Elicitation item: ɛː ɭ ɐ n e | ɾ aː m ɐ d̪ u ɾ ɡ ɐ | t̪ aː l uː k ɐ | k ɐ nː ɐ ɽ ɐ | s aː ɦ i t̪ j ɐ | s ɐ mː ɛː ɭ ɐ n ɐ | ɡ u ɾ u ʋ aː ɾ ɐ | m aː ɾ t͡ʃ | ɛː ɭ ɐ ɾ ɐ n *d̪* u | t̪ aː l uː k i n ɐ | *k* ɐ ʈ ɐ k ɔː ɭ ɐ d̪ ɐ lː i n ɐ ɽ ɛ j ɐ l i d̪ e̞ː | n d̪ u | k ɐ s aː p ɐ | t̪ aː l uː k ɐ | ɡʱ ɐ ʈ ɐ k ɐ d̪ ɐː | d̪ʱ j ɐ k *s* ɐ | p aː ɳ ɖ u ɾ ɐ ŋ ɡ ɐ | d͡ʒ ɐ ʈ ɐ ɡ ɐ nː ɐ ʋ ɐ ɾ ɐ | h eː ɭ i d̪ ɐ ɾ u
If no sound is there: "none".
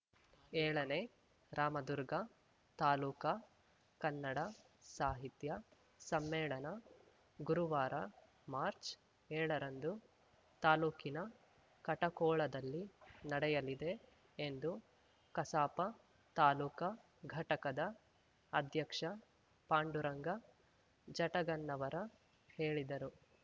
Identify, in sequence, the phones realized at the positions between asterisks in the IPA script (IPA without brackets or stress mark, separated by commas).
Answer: d̪, k, ʂ